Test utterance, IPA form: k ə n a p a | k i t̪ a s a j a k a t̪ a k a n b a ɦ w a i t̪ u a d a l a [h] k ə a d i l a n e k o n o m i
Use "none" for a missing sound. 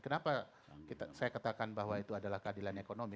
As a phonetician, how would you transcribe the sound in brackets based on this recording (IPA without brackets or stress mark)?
h